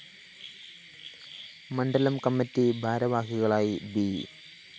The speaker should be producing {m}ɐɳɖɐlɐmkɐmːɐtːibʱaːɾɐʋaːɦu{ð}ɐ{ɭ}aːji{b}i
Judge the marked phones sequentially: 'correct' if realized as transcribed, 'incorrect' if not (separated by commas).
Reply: correct, incorrect, correct, correct